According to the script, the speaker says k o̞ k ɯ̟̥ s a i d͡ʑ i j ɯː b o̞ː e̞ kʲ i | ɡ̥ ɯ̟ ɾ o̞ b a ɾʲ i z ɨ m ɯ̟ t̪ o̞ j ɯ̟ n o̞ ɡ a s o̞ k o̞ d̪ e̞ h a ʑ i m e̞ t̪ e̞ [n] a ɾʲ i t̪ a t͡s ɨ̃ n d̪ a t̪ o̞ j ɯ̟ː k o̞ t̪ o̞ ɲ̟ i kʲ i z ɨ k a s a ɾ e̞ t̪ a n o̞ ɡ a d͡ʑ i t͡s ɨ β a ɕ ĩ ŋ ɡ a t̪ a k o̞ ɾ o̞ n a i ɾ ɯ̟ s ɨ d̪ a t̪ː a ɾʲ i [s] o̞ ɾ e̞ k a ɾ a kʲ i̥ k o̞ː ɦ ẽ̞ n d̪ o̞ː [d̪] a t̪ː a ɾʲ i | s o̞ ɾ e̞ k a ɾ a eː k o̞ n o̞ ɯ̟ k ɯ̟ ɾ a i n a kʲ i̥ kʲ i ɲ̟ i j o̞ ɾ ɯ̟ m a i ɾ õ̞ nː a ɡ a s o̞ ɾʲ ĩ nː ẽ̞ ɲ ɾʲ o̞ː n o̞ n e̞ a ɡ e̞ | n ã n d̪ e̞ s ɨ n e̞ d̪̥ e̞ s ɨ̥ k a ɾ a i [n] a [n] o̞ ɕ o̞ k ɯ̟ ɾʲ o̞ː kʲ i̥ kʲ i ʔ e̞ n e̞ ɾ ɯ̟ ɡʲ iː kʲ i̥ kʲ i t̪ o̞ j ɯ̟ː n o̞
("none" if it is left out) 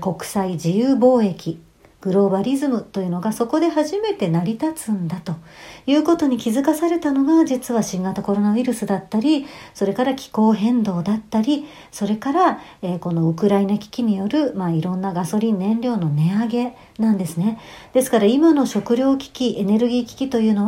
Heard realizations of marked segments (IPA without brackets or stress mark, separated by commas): n, s, d̪, m, n